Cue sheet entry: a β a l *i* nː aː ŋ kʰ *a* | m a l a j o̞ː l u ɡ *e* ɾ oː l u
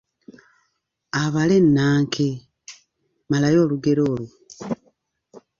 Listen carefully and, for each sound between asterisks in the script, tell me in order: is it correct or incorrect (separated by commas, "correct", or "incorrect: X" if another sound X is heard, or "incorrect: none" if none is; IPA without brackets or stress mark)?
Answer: incorrect: e, incorrect: e, correct